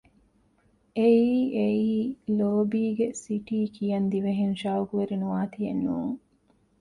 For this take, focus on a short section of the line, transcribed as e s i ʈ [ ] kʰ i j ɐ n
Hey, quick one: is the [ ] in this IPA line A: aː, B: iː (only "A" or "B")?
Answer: B